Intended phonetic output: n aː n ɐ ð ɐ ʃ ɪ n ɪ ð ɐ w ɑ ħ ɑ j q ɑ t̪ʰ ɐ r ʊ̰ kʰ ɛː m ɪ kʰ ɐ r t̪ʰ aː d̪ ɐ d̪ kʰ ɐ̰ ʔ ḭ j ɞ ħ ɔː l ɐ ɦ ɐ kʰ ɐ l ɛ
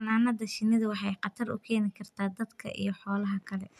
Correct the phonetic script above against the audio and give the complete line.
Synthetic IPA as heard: n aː n ɐ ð ɐ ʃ ɪ n ɪ ð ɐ w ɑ ħ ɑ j q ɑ t̪ʰ ɐ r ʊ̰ kʰ ɛː n ɪ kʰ ɐ r t̪ʰ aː d̪ ɐ d̪ kʰ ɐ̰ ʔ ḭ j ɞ ħ ɔː l ɐ ɦ ɐ kʰ ɐ l ɛ